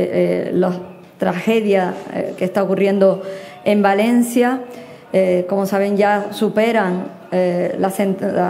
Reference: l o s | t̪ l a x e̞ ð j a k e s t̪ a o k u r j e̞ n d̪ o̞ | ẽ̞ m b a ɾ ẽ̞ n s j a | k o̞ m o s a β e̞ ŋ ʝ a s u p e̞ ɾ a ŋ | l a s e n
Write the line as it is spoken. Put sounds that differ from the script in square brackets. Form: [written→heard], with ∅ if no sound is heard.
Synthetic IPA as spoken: l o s | t̪ [l→ɾ] a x e̞ ð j a k e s t̪ a o k u r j e̞ n d̪ o̞ | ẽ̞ m b a [ɾ→l] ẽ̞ n s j a | k o̞ m o s a β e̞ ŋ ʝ a s u p e̞ ɾ a ŋ | l a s e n

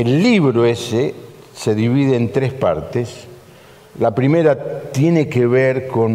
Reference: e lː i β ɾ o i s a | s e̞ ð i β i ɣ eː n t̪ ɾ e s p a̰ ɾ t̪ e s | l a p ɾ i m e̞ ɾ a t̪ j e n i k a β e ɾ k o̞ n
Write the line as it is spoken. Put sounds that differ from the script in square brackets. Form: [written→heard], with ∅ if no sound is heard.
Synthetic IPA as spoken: e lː i β ɾ o [i→e] s [a→e] | s e̞ ð i β i [ɣ→ð] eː n t̪ ɾ e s p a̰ ɾ t̪ e s | l a p ɾ i m e̞ ɾ a t̪ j e n [i→e] k [a→e] β e ɾ k o̞ n

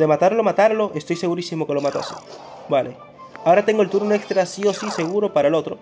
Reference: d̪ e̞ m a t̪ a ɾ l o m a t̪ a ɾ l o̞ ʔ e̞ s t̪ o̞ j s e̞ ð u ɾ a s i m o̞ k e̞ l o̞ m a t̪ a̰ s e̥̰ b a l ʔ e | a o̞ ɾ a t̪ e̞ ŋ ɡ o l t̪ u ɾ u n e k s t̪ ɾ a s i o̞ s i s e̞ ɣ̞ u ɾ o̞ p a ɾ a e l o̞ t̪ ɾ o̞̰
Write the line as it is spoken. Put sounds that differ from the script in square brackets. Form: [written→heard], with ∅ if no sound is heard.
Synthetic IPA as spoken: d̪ e̞ m a t̪ a ɾ l o m a t̪ a ɾ l o̞ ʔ e̞ s t̪ o̞ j s e̞ [ð→ɣ] u ɾ [a→i] s i m o̞ k e̞ l o̞ m a t̪ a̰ s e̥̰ b a l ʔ e | a o̞ ɾ a t̪ e̞ ŋ ɡ o l t̪ u ɾ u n e k s t̪ ɾ a s i o̞ s i s e̞ ɣ̞ u ɾ o̞ p a ɾ a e l o̞ t̪ ɾ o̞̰

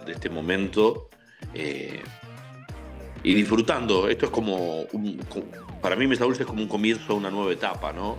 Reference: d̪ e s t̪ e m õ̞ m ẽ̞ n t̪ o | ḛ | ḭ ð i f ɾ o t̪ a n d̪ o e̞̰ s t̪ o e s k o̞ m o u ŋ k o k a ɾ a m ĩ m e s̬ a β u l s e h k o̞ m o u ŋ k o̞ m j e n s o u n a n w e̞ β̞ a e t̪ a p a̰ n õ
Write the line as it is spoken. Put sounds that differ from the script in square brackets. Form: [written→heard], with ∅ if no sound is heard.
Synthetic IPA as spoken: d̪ e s t̪ e m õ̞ m ẽ̞ n t̪ o | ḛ | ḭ ð i f ɾ [o→u] t̪ a n d̪ o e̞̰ s t̪ o e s k o̞ m o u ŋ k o [k→p] a ɾ a m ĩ m e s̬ a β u l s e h k o̞ m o u ŋ k o̞ m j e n s o u n a n w e̞ β̞ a e t̪ a p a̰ n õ

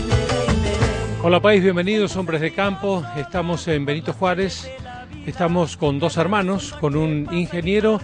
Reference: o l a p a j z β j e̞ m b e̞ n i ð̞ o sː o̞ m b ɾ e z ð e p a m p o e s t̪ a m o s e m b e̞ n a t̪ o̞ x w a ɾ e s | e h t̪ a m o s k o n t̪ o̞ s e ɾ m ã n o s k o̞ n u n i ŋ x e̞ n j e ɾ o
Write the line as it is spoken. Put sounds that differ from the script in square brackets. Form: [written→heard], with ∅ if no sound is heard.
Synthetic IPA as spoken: o l a p a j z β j e̞ m b e̞ n i ð̞ o [sː→s] o̞ m b ɾ e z ð e [p→k] a m p o e s t̪ a m o s e m b e̞ n [a→i] t̪ o̞ x w a ɾ e s | e [h→s] t̪ a m o s k o n [t̪→d̪] o̞ s e ɾ m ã n o s k o̞ n u n i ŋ x e̞ n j e ɾ o

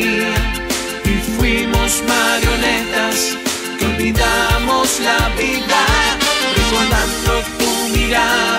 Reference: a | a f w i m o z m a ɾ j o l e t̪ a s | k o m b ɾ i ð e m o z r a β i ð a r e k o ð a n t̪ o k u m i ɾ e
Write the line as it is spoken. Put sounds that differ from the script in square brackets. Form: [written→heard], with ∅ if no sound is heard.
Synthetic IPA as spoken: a | [a→i] f w i m o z m a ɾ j o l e t̪ a s | k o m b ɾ i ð [e→a] m o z [r→l] a β i ð a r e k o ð a n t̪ o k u m i ɾ [e→a]

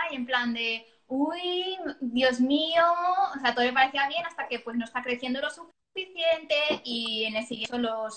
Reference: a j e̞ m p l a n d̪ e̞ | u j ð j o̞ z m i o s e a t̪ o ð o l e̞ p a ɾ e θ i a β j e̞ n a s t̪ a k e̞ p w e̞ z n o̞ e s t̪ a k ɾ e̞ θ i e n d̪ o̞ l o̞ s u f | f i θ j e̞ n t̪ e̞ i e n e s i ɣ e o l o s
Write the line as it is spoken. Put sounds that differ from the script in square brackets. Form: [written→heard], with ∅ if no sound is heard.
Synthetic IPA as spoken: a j e̞ m p l a n d̪ e̞ | u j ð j o̞ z m i o s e a t̪ o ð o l e̞ p a ɾ e θ i a β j e̞ n a s t̪ a k e̞ p w e̞ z n o̞ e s t̪ a k ɾ e̞ θ [i→j] e n d̪ o̞ l o̞ s u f | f i θ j e̞ n t̪ e̞ i e n e s i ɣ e o l o s

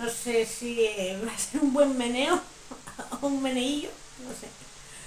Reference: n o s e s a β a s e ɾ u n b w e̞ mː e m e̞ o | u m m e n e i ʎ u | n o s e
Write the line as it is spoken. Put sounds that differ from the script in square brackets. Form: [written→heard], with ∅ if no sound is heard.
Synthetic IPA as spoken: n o s e s [a→i] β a s e ɾ u [n→m] b w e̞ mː e [m→n] e̞ o | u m m e n e i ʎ [u→o] | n o s e

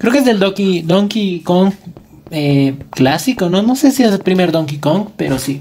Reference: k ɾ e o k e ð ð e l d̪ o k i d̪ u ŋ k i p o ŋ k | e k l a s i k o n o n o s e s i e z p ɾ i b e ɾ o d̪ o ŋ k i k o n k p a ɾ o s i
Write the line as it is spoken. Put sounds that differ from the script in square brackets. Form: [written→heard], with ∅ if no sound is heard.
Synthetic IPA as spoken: k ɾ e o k e [ð→z] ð e l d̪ o k i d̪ [u→o] ŋ k i [p→k] o ŋ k | e k l a s i k o n o n o s e s i e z p ɾ i [b→m] e ɾ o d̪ o ŋ k i k o [n→ŋ] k p [a→e] ɾ o s i

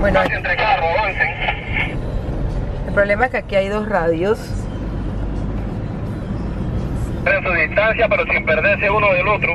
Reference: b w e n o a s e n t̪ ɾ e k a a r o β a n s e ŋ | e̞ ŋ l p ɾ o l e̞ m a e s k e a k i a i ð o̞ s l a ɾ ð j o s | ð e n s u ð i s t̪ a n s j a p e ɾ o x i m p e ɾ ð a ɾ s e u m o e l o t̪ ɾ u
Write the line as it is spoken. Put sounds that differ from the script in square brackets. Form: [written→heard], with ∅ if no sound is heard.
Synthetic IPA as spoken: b w e n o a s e n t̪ ɾ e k a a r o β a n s e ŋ | e̞ [ŋ→∅] l p ɾ o l e̞ m a e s k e a k i a [i→j] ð o̞ s [l→r] a [ɾ→∅] ð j o s | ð e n s u ð i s t̪ a n s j a p e ɾ o [x→s] i m p e ɾ ð [a→e] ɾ s e u [m→n] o e l o t̪ ɾ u

